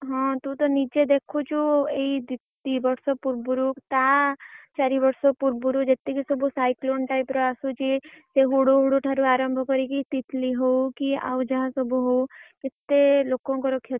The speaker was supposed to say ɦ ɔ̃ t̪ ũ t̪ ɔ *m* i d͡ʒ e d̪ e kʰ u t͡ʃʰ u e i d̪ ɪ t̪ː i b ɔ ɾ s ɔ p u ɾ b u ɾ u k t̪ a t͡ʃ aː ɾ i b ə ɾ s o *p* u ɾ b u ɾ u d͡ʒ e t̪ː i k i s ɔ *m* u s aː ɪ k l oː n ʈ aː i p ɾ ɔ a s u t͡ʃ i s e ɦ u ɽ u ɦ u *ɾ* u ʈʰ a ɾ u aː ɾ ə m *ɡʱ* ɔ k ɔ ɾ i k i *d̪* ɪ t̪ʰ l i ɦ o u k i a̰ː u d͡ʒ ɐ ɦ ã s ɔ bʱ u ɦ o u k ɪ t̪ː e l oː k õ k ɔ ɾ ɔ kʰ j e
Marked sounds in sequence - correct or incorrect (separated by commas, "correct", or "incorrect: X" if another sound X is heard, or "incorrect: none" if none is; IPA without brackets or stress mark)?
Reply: incorrect: n, correct, incorrect: b, incorrect: ɽ, incorrect: bʱ, incorrect: t̪